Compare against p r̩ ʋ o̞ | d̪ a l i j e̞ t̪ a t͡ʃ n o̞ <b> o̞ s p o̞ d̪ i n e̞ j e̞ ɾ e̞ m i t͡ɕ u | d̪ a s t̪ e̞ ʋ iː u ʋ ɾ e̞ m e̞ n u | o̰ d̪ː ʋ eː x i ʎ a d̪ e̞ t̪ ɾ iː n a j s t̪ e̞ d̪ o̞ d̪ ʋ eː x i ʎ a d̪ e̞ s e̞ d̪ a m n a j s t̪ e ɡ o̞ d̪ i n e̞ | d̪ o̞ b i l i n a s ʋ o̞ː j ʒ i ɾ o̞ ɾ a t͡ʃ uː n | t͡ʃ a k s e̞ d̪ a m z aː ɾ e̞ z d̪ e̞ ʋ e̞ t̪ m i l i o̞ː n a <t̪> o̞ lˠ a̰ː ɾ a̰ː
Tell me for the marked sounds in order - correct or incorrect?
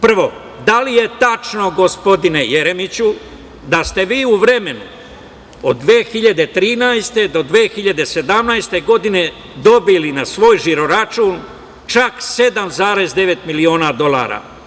incorrect: ɡ, incorrect: d̪

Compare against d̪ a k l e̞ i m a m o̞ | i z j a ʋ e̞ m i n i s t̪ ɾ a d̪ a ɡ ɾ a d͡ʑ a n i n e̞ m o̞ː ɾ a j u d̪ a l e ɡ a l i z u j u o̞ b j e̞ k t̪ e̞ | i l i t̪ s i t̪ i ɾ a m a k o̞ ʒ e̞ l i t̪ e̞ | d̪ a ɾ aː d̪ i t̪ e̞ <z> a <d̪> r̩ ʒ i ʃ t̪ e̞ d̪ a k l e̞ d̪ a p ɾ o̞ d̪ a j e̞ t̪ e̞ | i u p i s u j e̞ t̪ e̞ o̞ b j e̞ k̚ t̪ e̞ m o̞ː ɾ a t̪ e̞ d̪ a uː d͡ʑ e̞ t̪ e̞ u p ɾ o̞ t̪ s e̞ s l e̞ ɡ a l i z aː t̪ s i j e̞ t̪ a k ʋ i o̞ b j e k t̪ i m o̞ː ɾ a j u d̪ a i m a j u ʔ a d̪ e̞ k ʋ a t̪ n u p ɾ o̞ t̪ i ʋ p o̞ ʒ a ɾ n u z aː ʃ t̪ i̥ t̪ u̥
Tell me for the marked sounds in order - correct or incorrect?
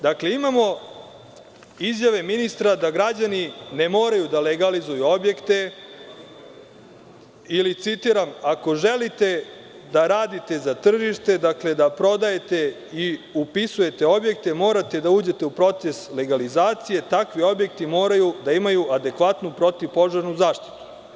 correct, incorrect: t̪

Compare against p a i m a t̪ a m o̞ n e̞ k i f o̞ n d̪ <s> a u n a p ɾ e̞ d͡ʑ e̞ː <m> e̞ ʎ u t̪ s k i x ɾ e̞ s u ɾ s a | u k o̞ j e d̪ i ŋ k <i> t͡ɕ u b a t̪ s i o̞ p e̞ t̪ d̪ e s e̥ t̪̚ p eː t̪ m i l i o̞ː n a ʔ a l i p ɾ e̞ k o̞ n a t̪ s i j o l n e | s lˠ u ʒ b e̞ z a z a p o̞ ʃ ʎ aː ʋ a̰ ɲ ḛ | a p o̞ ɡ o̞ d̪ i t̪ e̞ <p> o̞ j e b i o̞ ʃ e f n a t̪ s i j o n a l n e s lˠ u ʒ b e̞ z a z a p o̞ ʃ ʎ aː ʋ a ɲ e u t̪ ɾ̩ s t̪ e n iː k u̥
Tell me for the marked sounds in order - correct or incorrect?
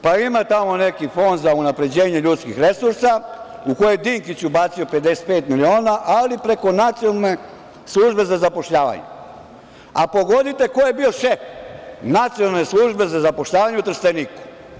incorrect: z, incorrect: ɲ, correct, incorrect: k

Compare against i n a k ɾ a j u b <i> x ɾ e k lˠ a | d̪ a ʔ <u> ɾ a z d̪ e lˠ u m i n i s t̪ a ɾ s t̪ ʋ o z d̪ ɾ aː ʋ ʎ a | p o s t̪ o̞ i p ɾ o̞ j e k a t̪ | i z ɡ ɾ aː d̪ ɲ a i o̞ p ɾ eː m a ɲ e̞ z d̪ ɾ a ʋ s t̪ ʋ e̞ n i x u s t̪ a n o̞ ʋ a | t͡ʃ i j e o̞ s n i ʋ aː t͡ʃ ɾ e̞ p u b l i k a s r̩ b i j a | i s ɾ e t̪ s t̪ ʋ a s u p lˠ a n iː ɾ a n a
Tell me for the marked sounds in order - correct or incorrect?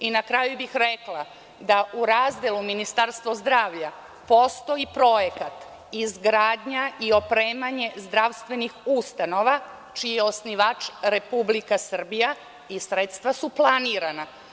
correct, correct

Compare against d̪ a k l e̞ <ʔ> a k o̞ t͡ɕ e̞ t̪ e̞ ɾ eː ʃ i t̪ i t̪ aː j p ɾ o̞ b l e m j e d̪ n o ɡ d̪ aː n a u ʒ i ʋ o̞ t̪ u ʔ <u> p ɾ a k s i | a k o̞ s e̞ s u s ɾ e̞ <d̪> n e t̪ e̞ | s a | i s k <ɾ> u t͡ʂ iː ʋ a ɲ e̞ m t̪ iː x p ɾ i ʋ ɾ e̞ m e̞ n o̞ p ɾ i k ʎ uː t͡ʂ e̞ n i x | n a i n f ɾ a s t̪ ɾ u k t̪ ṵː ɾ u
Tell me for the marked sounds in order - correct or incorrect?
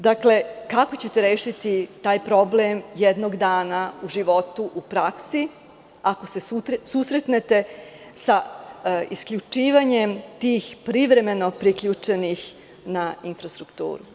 incorrect: k, correct, incorrect: t̪, incorrect: ʎ

